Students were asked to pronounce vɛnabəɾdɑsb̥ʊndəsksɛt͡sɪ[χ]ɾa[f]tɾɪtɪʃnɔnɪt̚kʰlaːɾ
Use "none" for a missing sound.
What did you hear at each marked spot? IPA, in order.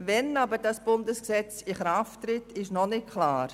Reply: χ, f

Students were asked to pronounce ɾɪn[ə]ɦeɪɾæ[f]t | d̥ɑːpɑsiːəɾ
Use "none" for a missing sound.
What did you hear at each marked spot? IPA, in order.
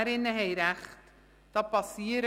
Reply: ə, χ

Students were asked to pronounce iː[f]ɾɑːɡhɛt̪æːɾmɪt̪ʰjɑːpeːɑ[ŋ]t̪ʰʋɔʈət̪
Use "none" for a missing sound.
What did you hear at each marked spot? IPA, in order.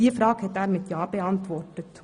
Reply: f, n

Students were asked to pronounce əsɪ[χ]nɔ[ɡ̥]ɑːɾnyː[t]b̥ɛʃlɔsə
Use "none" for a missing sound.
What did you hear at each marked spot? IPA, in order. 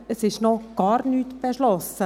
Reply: ʃ, ɡ̥, t

